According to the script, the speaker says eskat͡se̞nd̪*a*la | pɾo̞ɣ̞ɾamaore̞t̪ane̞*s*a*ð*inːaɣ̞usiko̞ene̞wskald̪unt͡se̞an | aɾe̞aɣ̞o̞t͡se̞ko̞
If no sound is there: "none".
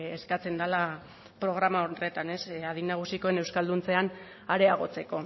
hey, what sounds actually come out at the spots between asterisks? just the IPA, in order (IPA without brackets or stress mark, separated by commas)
a, s, ð